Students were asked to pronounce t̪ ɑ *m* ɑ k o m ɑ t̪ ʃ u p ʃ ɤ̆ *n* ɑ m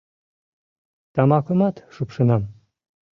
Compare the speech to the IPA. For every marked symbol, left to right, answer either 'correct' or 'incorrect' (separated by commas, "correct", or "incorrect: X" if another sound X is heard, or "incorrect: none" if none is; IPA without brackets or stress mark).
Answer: correct, correct